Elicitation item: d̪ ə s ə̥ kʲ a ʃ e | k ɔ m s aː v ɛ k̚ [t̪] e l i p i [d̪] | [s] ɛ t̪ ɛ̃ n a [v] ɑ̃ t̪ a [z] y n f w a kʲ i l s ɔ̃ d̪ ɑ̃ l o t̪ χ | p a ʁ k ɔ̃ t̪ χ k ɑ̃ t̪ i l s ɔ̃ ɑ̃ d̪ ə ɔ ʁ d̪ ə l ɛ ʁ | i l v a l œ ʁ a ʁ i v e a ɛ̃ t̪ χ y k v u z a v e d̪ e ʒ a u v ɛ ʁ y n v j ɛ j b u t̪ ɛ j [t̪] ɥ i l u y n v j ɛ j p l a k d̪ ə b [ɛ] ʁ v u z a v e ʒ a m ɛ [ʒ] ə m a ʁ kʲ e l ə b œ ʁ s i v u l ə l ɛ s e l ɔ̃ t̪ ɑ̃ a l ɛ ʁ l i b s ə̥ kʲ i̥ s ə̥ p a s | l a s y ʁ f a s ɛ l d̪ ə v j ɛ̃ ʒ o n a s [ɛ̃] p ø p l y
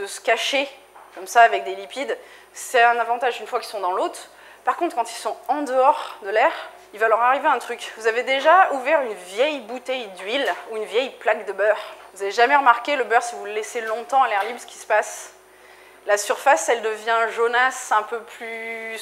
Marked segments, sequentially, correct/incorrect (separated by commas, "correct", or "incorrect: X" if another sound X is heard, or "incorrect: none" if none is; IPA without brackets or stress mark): incorrect: d̪, correct, correct, correct, incorrect: ʒ, incorrect: d̪, incorrect: œ, incorrect: ʁ, correct